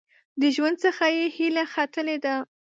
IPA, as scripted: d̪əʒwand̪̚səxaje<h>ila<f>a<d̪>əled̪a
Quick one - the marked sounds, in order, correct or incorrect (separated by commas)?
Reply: correct, incorrect, incorrect